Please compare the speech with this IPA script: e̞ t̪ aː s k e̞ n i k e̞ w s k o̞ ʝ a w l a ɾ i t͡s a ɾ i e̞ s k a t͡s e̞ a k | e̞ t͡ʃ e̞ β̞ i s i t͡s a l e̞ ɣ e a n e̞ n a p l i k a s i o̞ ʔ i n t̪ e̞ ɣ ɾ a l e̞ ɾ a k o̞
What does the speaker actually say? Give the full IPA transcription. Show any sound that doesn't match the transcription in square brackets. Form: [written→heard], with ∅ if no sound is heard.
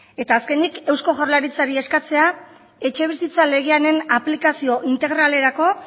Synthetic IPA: e̞ t̪ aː s k e̞ n i k e̞ w s k o̞ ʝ a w l a ɾ i t͡s a ɾ i e̞ s k a t͡s e̞ a [k→∅] | e̞ t͡ʃ e̞ β̞ i s i t͡s a l e̞ ɣ e a n e̞ n a p l i k a s i o̞ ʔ i n t̪ e̞ ɣ ɾ a l e̞ ɾ a k o̞

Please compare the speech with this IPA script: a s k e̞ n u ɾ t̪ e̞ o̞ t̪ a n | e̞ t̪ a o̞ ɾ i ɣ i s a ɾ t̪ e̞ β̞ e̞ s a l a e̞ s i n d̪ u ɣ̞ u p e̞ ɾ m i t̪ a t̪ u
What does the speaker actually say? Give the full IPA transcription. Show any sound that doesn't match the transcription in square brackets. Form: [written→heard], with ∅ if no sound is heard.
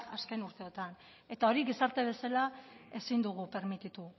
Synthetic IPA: a s k e̞ n u ɾ t̪ e̞ o̞ t̪ a n | e̞ t̪ a o̞ ɾ i ɣ i s a ɾ t̪ e̞ β̞ e̞ s a l a e̞ s i n d̪ u ɣ̞ u p e̞ ɾ m i t̪ [a→i] t̪ u

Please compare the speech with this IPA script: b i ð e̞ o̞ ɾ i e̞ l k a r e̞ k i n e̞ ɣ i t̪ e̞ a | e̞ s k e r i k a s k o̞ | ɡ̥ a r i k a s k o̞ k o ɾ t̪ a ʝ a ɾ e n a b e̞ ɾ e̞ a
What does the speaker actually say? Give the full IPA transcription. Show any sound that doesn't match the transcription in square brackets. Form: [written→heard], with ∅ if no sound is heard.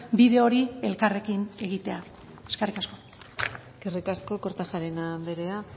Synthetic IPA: b i ð e̞ o̞ ɾ i e̞ l k a r e̞ k i n e̞ ɣ i t̪ e̞ a | e̞ s k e r i k a s k o̞ | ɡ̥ [a→e] r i k a s k o̞ k o ɾ t̪ a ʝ a ɾ e n a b e̞ ɾ e̞ a

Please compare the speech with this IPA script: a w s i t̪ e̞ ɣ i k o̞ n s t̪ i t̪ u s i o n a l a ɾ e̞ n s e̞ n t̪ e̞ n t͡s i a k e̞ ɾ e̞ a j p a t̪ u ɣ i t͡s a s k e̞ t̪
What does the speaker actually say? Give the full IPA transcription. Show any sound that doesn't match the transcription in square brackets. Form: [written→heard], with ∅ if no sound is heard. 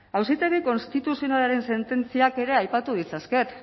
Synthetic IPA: a w s i t̪ e̞ ɣ i k o̞ n s t̪ i t̪ u s i o n a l a ɾ e̞ n s e̞ n t̪ e̞ n t͡s i a k e̞ ɾ e̞ a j p a t̪ u [ɣ→ð] i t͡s a s k e̞ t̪

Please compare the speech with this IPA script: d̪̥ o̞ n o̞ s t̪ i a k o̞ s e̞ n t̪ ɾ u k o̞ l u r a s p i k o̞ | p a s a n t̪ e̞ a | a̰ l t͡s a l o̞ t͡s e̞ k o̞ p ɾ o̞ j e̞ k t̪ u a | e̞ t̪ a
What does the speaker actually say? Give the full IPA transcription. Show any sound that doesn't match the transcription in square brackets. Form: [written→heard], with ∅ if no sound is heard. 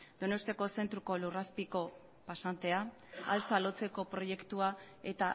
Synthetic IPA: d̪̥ o̞ n o̞ s t̪ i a k o̞ s e̞ n t̪ ɾ u k o̞ l u r a s p i k o̞ | p a s a n t̪ e̞ a | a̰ l t͡s a l o̞ t͡s e̞ k o̞ p ɾ o̞ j e̞ k t̪ u a | e̞ t̪ a

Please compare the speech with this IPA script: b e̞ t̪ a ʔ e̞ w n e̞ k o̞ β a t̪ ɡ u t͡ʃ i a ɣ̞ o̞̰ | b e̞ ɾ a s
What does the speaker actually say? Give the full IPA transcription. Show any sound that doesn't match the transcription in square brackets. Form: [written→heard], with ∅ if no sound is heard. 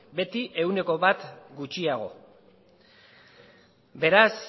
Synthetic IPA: b e̞ t̪ [a→i] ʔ e̞ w n e̞ k o̞ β a t̪ ɡ u t͡ʃ i a ɣ̞ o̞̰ | b e̞ ɾ a s

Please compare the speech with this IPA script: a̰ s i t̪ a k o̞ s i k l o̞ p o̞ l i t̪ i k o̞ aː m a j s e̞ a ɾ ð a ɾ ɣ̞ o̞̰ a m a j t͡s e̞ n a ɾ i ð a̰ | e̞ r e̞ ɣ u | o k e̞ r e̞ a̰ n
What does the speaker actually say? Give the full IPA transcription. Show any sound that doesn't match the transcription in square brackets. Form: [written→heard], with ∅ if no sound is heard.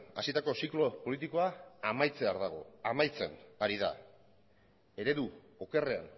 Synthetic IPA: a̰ s i t̪ a k o̞ s i k l o̞ p o̞ l i t̪ i k o̞ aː m a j [s→t͡s] e̞ a ɾ ð a [ɾ→∅] ɣ̞ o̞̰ a m a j t͡s e̞ n a ɾ i ð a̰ | e̞ [r→ɾ] e̞ [ɣ→ð] u | o k e̞ r e̞ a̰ n

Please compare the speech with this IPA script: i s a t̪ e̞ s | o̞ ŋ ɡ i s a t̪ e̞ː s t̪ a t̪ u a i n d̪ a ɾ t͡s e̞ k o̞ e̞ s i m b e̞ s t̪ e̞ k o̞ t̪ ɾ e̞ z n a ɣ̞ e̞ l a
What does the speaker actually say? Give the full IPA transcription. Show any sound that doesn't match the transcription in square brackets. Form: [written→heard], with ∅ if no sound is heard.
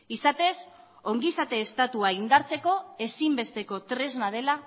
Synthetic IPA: i s a t̪ e̞ s | o̞ ŋ ɡ i s a t̪ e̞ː s t̪ a t̪ u a i n d̪ a ɾ t͡s e̞ k o̞ e̞ s i m b e̞ s t̪ e̞ k o̞ t̪ ɾ e̞ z n a [ɣ̞→ð̞] e̞ l a

